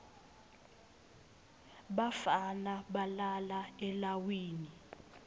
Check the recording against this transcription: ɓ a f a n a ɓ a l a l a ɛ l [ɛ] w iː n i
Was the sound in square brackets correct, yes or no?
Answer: no